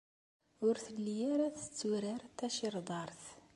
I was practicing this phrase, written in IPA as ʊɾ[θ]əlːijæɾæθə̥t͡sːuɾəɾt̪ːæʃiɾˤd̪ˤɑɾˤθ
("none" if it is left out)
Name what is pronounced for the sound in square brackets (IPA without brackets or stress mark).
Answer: θ